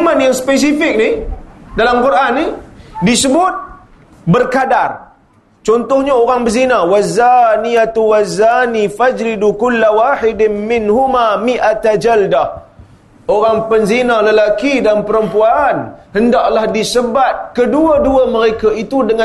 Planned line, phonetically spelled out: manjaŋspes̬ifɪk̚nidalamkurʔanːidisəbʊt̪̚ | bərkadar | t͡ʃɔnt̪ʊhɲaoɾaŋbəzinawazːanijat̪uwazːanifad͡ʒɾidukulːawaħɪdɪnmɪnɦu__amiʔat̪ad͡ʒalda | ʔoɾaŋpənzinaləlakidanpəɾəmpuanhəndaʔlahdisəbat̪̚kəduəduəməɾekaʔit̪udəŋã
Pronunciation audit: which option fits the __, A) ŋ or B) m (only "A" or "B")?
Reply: B